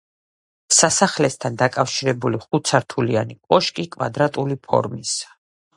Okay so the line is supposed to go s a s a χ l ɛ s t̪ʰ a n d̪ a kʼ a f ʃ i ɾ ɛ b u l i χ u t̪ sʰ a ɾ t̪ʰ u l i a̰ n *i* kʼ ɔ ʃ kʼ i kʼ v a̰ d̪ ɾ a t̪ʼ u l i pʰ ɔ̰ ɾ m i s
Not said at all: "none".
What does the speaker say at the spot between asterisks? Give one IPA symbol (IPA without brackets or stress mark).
i